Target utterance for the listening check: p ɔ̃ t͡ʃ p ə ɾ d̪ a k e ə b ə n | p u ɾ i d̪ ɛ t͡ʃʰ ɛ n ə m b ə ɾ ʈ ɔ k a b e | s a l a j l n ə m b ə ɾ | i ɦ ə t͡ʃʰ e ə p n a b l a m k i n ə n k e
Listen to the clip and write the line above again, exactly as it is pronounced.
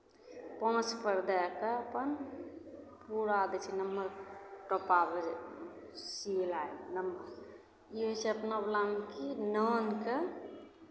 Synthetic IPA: p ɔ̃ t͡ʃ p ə ɾ d̪ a k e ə p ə n | p u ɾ a d̪ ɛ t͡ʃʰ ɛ n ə m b ə ɾ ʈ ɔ p a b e | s i l a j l n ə m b ə ɾ | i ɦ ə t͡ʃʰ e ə p n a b l a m k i n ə n k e

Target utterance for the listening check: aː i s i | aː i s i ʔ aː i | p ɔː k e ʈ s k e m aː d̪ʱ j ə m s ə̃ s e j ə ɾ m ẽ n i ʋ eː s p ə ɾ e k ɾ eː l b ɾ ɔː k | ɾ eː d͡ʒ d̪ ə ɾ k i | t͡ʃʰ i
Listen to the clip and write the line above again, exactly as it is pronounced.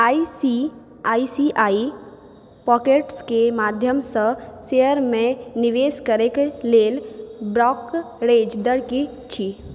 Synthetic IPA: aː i s i | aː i s i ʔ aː i | p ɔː k e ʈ s k e m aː d̪ʱ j ə m s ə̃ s e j ə ɾ m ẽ n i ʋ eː s k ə ɾ e k l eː l b ɾ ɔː k | ɾ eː d͡ʒ d̪ ə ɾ k i | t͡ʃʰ i

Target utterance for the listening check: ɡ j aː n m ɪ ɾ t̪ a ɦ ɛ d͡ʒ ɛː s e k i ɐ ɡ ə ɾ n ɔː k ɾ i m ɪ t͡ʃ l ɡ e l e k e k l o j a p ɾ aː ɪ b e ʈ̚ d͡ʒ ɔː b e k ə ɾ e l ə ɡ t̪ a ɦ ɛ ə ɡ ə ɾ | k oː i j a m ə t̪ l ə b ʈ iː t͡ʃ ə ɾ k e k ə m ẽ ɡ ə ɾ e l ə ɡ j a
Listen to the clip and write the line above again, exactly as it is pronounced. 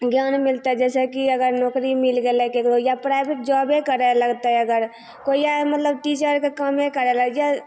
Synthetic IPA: ɡ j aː n m ɪ l t̪ a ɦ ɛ d͡ʒ ɛː s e k i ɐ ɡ ə ɾ n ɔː k ɾ i m ɪ l ɡ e l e k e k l o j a p ɾ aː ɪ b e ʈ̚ d͡ʒ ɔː b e k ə ɾ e l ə ɡ t̪ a ɦ ɛ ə ɡ ə ɾ | k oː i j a m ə t̪ l ə b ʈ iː t͡ʃ ə ɾ k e k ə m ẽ k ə ɾ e l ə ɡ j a

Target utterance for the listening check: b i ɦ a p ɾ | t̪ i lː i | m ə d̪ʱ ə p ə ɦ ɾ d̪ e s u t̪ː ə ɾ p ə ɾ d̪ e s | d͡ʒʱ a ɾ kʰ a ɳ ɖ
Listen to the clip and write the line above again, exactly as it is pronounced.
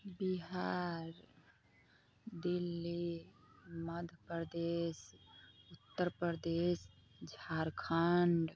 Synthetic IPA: b i ɦ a ɾ | d̪ i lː i | m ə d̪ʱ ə p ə ɾ d̪ e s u t̪ː ə ɾ p ə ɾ d̪ e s | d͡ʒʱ a ɾ kʰ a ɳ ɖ

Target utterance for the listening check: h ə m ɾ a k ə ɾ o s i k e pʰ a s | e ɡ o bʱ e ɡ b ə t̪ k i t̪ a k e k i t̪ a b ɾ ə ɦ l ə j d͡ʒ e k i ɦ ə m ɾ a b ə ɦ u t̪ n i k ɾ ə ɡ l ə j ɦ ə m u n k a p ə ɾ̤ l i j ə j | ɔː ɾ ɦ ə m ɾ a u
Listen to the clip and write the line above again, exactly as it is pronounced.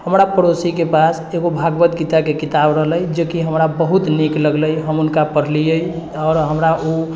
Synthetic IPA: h ə m ɾ a p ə ɾ o s i k e p a s | e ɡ o bʱ a ɡ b ə t̪ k i t̪ a k e k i t̪ a b ɾ ə ɦ l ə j d͡ʒ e k i ɦ ə m ɾ a b ə ɦ u t̪ n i k l ə ɡ l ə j ɦ ə m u n k a p ə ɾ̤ l i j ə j | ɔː ɾ ɦ ə m ɾ a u

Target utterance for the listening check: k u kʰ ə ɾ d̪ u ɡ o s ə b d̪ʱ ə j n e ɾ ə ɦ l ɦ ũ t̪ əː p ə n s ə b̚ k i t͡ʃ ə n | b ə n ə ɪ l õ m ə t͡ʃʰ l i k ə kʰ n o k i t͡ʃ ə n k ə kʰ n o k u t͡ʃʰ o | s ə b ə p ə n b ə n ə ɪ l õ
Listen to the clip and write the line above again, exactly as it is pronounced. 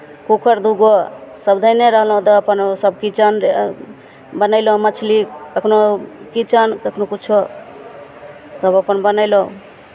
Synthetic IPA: k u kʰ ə ɾ d̪ u ɡ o s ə b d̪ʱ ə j n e ɾ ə ɦ l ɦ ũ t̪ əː p ə n s ə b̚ k i t͡ʃ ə n | b ə n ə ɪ l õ m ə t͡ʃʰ l i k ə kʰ n o k i t͡ʃ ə n k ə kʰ n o k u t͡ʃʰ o | s ə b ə p ə n b ə n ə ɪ l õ

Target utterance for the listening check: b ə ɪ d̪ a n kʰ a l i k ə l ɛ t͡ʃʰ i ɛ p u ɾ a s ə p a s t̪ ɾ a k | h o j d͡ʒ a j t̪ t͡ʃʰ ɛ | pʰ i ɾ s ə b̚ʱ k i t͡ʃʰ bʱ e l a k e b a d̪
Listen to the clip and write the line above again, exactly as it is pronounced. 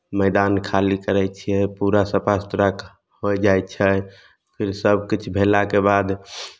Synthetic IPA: m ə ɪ d̪ a n kʰ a l i k ə ɾ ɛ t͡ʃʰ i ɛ p u ɾ a s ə p a s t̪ ɾ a k | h o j d͡ʒ a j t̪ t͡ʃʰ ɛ | pʰ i ɾ s ə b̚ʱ k i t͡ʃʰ bʱ e l a k e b a d̪

